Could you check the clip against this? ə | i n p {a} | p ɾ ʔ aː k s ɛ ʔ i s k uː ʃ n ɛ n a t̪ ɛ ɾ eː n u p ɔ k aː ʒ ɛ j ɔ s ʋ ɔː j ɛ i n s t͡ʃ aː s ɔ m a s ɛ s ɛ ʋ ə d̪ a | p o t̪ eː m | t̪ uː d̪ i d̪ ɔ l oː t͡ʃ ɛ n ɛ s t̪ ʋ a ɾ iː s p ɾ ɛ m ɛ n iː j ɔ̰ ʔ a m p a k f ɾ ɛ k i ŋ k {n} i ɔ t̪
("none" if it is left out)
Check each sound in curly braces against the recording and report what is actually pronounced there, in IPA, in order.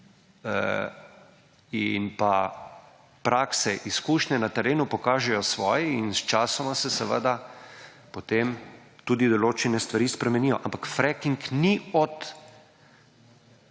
a, n

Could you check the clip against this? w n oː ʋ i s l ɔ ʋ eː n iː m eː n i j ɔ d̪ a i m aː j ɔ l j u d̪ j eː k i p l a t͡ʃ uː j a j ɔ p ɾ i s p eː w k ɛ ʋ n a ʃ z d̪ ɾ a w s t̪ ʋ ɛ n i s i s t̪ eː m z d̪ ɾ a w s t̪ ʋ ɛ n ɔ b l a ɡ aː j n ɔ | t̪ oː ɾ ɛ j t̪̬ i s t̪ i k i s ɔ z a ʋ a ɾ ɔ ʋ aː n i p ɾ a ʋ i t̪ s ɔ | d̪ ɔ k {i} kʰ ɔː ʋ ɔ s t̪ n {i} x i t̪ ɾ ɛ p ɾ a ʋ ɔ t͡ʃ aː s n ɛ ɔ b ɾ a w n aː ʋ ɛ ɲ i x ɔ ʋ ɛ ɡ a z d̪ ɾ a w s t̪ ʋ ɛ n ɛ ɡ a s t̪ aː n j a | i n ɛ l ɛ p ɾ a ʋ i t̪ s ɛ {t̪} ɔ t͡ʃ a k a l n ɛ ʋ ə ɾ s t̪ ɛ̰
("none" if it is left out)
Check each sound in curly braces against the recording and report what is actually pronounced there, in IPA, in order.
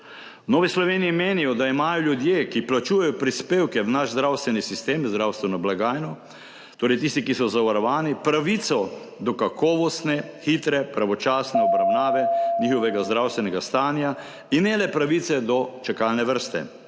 a, ɛ, d̪

